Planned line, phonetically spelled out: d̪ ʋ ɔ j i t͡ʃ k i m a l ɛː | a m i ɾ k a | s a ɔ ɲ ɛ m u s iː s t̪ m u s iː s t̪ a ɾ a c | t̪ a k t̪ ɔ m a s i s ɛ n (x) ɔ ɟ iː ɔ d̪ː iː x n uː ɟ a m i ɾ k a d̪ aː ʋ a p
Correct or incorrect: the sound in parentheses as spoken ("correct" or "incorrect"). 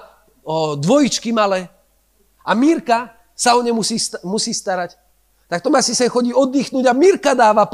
correct